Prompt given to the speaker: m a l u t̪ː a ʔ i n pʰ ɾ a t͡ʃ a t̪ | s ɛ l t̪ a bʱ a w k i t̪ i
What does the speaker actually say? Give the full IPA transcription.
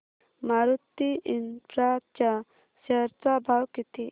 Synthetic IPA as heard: m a ɾ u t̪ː i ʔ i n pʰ ɾ a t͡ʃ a | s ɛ ɾ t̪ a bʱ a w k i t̪ i